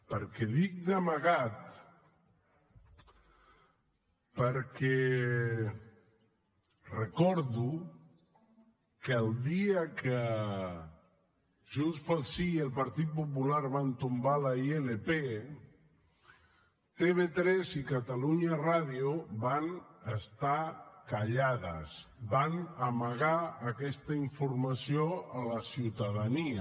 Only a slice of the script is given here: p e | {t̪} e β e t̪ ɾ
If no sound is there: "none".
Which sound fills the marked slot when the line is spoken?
t̪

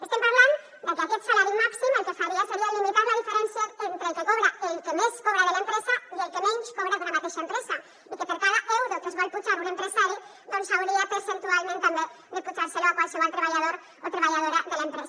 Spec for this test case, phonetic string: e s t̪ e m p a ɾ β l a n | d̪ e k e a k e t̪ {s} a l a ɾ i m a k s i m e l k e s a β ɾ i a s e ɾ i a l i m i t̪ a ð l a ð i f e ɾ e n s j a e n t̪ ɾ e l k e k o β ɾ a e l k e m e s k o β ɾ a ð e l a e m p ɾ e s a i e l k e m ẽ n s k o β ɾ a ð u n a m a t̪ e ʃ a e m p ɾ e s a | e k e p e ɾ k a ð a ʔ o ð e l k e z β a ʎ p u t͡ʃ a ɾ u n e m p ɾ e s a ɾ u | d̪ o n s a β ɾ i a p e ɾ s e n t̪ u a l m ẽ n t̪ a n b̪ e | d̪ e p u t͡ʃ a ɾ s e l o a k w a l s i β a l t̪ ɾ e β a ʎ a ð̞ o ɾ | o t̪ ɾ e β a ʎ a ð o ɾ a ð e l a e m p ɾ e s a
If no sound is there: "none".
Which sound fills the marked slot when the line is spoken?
s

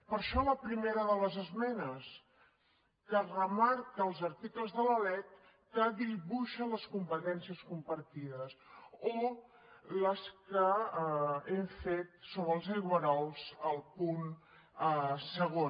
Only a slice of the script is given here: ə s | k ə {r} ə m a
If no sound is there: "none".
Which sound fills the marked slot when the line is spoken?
r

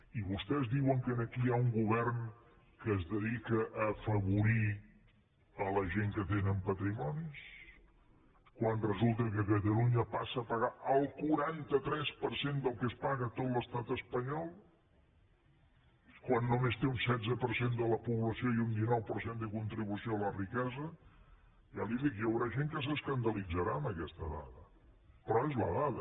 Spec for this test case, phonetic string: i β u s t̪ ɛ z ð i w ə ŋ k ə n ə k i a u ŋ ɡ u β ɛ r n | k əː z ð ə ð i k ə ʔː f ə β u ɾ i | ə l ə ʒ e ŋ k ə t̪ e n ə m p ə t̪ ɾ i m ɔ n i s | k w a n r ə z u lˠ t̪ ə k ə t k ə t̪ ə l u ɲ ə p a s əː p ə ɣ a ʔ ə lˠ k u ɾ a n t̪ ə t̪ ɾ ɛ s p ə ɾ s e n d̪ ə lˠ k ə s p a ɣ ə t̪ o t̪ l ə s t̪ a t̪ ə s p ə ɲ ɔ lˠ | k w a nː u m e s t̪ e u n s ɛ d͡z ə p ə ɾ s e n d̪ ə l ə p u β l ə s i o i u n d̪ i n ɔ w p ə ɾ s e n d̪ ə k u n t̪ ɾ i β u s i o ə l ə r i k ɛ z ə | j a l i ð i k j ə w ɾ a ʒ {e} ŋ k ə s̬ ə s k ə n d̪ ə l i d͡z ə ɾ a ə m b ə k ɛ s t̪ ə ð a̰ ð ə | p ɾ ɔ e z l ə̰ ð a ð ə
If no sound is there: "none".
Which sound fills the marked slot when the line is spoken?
e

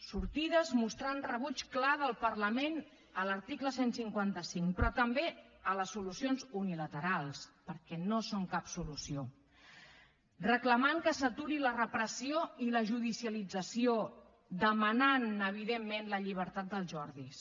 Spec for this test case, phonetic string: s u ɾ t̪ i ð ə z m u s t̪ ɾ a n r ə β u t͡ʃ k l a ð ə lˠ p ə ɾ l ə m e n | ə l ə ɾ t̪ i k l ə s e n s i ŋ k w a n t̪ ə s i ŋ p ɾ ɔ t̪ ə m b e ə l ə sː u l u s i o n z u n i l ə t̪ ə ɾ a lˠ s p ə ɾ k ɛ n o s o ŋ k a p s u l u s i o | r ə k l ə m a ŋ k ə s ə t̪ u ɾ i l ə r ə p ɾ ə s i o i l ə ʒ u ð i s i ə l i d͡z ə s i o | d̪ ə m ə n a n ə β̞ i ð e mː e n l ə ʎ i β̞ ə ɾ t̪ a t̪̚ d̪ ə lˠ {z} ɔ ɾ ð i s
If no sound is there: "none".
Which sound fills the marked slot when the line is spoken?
ʒ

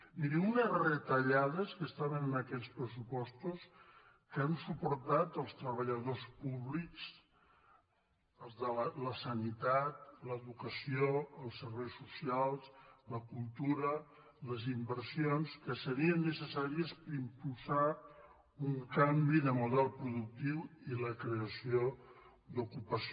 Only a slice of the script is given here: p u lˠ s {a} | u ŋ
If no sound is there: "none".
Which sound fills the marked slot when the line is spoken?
a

